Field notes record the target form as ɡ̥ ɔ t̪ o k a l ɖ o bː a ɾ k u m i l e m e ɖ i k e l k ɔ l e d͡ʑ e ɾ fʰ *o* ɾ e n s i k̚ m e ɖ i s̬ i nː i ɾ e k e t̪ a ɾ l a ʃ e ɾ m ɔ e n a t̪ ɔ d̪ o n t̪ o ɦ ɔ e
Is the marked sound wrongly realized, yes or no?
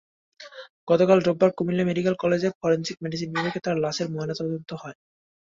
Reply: yes